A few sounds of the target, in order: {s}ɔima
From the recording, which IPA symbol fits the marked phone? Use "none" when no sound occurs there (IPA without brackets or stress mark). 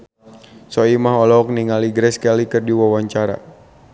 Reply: s